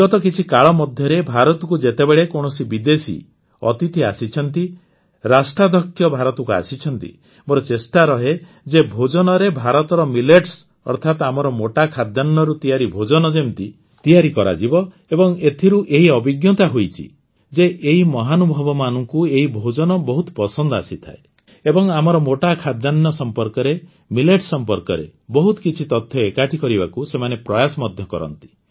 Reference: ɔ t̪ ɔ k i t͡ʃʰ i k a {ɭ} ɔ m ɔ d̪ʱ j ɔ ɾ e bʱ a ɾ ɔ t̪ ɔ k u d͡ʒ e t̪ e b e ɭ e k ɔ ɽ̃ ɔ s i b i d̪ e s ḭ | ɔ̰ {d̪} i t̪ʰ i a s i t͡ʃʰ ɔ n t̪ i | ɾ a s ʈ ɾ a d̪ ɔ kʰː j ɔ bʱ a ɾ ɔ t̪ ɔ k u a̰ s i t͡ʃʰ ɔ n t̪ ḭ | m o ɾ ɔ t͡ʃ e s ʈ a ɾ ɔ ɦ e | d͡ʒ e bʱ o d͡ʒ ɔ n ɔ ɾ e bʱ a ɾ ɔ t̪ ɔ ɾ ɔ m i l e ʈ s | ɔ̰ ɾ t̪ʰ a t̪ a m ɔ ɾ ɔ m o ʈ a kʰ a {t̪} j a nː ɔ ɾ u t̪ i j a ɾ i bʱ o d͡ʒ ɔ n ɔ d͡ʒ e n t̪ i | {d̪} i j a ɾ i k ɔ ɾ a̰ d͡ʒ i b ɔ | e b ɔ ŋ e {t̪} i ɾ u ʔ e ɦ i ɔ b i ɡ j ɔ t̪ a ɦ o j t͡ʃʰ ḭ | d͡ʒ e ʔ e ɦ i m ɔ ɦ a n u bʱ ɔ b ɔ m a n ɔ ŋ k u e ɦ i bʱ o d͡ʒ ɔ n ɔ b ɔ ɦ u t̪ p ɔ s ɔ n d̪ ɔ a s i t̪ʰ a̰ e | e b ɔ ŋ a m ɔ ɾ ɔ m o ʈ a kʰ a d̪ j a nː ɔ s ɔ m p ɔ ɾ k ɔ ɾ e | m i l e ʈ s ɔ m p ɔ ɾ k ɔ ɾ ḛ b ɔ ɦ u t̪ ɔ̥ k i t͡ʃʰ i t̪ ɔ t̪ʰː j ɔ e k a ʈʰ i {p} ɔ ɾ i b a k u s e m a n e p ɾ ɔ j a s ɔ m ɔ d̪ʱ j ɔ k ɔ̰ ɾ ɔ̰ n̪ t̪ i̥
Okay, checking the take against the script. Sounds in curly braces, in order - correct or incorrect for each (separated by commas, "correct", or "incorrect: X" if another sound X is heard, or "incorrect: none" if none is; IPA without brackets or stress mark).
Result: correct, incorrect: t̪, incorrect: d̪, incorrect: t̪, incorrect: t̪ʰ, incorrect: k